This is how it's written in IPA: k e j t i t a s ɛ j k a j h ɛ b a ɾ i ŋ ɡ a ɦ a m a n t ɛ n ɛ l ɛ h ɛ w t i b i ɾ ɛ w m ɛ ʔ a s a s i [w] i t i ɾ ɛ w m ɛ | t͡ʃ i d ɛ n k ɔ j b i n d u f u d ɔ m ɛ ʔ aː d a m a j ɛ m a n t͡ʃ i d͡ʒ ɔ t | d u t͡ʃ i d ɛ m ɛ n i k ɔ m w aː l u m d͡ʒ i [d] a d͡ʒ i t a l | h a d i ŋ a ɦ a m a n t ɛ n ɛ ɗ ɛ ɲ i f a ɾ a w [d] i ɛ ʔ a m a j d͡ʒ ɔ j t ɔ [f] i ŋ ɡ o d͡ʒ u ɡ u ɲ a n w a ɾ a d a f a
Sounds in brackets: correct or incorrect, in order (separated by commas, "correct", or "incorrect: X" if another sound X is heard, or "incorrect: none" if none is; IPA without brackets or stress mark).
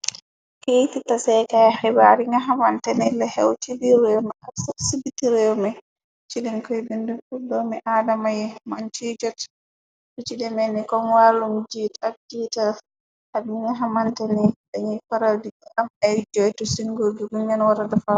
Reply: incorrect: b, incorrect: t, correct, incorrect: s